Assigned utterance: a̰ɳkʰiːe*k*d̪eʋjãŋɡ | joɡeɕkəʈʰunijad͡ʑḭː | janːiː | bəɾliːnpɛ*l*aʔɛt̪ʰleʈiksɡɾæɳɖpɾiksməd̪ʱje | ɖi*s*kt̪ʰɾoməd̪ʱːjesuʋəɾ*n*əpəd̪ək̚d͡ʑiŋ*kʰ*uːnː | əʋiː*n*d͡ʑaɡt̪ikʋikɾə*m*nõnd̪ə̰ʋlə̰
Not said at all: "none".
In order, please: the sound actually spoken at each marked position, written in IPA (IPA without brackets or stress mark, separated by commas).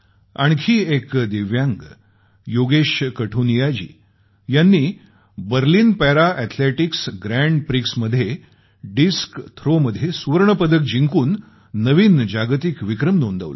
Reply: k, ɾ, s, ɳ, k, n, m